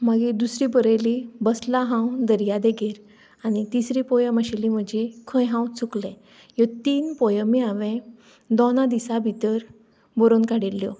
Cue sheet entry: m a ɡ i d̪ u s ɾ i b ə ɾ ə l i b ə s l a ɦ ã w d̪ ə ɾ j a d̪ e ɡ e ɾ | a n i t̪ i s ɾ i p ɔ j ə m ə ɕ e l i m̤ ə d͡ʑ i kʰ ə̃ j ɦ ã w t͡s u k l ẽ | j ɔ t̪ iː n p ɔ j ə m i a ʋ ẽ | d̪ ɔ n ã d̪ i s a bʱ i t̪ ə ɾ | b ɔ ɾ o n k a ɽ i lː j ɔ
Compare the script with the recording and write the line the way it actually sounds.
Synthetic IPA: m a ɡ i d̪ u s ɾ i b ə ɾ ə l i b ə s l a ɦ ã w d̪ ə ɾ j a d̪ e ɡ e ɾ | a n i t̪ i s ɾ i p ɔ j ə m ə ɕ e l i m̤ ə d͡ʑ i kʰ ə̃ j ɦ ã w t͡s u k l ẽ | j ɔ t̪ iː n p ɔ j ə m i a ʋ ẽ | d̪ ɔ n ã d̪ i s a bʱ i t̪ ə ɾ | b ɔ ɾ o n k a ɽ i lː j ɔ